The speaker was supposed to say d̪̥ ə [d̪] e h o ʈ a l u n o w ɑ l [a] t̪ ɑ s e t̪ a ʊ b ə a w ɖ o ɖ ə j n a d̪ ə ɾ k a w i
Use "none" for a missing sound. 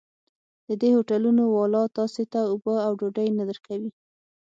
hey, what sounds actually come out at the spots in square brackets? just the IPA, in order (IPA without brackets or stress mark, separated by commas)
d̪, ɑ